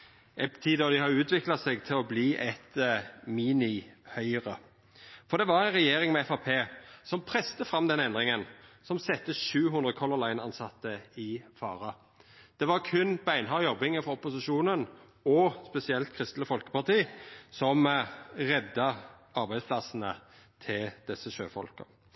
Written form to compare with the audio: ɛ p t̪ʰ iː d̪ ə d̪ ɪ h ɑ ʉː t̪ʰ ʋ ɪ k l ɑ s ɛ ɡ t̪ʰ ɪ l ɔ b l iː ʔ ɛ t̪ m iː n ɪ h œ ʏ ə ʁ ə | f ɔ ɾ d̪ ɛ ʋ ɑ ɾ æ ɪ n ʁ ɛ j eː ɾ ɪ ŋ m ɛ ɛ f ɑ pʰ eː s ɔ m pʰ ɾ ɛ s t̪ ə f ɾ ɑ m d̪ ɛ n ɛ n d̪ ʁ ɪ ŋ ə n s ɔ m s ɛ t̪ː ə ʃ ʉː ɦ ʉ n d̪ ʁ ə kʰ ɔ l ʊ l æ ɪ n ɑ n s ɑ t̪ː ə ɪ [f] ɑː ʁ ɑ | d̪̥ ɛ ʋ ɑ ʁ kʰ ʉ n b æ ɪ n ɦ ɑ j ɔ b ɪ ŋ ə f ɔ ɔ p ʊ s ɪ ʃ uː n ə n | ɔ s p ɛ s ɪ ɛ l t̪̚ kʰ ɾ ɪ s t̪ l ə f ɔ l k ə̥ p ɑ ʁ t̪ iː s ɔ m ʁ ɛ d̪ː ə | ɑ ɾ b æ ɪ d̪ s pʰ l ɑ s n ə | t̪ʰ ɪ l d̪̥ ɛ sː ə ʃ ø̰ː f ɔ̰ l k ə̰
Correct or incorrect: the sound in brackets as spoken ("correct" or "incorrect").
correct